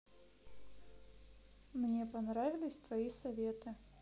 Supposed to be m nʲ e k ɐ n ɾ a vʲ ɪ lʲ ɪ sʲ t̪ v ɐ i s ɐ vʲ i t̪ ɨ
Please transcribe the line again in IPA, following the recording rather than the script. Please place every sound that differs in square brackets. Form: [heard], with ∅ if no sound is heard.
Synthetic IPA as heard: m nʲ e [p] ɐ n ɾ a vʲ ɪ lʲ ɪ sʲ t̪ v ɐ i s ɐ vʲ [e] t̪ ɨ